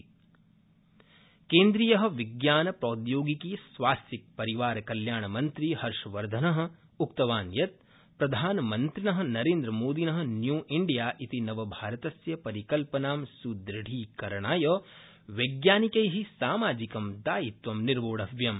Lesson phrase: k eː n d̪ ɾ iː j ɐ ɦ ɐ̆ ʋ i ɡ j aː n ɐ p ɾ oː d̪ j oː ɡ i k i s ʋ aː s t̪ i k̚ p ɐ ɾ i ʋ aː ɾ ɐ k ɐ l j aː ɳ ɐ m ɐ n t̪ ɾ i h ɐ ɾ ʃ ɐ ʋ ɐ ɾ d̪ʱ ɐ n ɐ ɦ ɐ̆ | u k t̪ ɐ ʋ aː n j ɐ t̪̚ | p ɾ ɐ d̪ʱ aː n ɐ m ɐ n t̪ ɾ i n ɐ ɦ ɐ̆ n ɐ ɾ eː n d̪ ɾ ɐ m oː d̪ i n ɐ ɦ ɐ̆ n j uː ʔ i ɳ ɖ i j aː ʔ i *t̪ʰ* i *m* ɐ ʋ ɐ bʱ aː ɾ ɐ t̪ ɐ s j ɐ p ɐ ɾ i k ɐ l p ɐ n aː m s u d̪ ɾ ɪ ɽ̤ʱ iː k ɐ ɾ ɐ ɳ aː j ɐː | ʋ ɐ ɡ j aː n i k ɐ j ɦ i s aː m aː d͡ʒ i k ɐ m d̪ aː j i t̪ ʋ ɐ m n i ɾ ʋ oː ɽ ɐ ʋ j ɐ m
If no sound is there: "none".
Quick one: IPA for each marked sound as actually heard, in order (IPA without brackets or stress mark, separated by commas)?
t̪, n